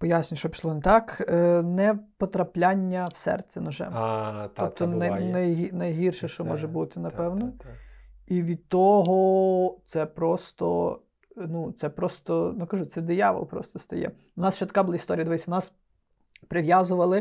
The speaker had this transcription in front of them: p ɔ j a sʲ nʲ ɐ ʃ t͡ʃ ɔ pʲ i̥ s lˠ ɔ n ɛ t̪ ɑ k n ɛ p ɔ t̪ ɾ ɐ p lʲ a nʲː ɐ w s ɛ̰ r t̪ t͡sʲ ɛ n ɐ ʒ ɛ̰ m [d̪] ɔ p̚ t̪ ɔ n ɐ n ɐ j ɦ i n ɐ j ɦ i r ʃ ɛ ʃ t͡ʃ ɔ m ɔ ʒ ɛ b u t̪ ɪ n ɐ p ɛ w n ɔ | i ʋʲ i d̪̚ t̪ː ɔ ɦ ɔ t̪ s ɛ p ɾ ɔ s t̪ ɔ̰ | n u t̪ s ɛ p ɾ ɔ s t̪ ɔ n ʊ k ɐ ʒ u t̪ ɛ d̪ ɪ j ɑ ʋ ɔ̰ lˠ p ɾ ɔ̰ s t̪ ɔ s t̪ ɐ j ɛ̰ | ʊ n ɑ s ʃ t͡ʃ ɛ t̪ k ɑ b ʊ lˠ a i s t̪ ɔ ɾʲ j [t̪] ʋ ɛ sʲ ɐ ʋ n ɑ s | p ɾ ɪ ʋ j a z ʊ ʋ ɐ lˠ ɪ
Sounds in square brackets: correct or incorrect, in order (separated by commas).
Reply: incorrect, incorrect